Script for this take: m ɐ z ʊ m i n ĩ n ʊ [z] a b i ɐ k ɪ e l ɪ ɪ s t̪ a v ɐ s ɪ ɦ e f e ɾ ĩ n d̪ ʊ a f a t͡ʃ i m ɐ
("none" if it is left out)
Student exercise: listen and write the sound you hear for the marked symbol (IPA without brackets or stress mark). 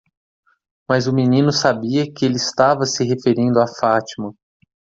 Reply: s